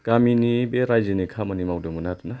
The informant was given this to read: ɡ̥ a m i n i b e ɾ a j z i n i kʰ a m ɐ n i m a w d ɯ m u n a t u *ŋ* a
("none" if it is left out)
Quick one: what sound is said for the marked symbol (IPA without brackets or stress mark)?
n